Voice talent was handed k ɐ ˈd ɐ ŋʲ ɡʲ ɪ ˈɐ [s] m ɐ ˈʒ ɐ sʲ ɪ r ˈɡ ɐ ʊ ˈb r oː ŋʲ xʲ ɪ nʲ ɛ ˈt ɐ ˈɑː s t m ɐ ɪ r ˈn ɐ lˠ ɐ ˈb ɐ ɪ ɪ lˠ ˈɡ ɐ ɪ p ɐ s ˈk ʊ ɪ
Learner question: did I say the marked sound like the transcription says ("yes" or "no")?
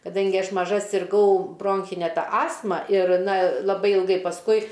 no